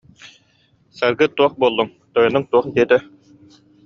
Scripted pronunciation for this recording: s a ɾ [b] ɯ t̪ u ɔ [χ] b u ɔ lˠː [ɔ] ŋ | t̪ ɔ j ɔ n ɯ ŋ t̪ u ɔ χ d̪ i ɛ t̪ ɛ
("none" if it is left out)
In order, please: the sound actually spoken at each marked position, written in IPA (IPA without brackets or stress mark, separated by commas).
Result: ɡ, χ, u